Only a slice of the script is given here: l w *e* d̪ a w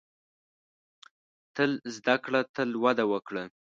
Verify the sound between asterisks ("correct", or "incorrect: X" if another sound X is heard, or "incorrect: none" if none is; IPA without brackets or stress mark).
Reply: incorrect: a